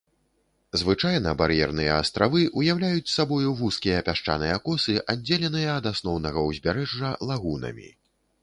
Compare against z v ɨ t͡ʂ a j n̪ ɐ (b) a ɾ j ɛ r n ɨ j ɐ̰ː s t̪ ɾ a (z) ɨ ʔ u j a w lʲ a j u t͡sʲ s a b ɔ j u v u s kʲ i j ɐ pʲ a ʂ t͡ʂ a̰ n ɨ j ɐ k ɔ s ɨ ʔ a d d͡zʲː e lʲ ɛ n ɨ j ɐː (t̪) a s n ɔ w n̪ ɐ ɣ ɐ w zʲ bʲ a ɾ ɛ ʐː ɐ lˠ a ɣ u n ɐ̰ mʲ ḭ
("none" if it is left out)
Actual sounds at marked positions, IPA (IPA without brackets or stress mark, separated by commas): b, v, d̪